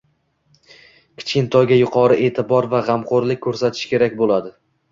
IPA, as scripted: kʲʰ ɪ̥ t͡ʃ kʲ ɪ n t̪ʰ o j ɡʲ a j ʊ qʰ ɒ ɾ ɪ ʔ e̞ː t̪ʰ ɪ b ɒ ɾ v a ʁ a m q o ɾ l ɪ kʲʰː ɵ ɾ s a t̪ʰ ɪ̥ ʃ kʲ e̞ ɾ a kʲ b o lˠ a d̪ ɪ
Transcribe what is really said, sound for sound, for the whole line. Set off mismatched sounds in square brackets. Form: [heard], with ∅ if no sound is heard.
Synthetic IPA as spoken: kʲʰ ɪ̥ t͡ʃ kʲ ɪ n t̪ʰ [ɒ] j ɡʲ a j ʊ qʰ ɒ ɾ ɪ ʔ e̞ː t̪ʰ ɪ b ɒ ɾ v a ʁ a m q o ɾ l ɪ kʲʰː ɵ ɾ s a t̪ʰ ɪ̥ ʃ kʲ e̞ ɾ a kʲ b o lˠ a d̪ ɪ